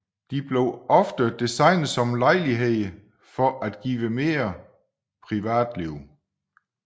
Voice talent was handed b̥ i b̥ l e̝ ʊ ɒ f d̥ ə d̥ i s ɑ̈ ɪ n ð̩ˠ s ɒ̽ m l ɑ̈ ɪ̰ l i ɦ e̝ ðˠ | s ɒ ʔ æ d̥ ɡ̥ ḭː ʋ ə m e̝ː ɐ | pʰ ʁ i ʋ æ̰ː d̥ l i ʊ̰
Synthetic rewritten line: d̥ i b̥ l e̝ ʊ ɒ f d̥ ə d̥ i s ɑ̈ ɪ n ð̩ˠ s ɒ̽ m l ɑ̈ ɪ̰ l i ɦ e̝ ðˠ | f ɒ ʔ æ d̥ ɡ̥ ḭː ʋ ə m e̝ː ɐ | pʰ ʁ i ʋ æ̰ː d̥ l i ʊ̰